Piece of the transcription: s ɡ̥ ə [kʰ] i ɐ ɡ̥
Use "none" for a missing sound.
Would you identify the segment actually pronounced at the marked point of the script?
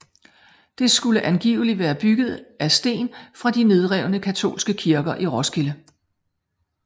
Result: kʰ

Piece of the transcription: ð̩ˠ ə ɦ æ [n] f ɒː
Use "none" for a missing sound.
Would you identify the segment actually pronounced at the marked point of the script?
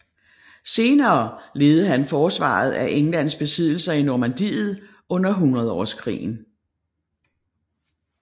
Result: n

